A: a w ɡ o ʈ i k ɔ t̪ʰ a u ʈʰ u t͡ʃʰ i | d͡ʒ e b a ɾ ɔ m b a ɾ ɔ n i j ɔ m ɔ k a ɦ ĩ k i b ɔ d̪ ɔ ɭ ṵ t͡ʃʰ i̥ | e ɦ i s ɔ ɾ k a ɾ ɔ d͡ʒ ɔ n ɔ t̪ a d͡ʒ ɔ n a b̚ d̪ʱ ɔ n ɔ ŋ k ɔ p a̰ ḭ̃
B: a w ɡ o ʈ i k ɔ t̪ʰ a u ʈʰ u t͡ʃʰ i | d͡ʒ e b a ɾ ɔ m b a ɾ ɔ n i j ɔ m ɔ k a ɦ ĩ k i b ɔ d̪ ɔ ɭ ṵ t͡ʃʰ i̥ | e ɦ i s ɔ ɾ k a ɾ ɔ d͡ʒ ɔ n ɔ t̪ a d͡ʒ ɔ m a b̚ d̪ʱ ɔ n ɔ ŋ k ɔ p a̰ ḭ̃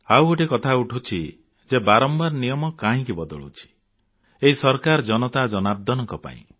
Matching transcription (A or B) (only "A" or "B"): A